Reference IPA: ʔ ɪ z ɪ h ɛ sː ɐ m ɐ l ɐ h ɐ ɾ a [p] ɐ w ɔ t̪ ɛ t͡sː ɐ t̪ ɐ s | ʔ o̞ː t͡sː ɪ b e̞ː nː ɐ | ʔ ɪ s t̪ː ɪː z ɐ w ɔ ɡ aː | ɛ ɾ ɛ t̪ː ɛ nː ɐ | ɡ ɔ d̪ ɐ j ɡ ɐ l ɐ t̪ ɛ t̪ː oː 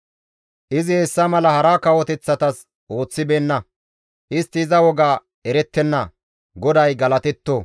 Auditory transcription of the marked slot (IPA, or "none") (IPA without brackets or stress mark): k